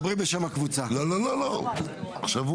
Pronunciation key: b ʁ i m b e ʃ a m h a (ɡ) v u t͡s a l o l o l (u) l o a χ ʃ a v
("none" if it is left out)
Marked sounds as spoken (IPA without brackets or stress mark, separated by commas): k, o